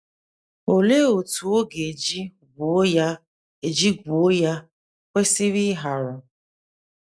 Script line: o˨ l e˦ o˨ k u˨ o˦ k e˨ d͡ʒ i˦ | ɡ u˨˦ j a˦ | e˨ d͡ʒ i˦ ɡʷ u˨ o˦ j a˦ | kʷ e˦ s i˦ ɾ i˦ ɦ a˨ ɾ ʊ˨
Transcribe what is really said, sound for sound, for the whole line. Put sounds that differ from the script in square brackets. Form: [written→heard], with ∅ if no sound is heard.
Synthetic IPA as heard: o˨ l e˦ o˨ [k→t] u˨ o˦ [k→ɡ] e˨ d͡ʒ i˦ | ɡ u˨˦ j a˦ | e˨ d͡ʒ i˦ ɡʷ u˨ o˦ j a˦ | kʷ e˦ s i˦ ɾ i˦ ɦ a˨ ɾ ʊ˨